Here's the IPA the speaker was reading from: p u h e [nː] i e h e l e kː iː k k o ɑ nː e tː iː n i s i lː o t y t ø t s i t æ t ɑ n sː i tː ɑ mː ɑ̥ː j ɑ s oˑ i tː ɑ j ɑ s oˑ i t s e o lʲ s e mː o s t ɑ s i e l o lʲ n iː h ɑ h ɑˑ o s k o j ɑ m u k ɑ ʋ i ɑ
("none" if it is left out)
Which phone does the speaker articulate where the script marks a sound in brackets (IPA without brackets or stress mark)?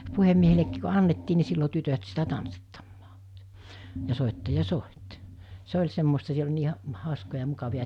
mː